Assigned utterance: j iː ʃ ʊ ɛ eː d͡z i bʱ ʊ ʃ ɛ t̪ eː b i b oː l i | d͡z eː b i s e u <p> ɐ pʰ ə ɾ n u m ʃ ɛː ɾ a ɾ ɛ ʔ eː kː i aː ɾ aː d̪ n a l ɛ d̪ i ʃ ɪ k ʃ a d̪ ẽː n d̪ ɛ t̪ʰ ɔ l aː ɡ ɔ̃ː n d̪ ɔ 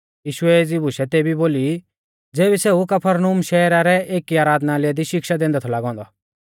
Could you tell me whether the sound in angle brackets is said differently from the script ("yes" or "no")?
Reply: yes